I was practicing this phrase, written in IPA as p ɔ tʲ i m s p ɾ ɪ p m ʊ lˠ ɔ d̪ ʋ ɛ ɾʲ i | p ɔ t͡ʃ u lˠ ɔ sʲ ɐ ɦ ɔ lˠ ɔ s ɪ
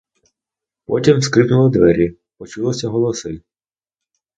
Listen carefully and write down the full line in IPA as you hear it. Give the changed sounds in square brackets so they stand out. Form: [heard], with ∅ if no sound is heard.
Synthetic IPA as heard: p ɔ tʲ i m s [k] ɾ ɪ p [n] ʊ lˠ ɔ d̪ ʋ ɛ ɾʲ i | p ɔ t͡ʃ u lˠ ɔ sʲ ɐ ɦ ɔ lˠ ɔ s ɪ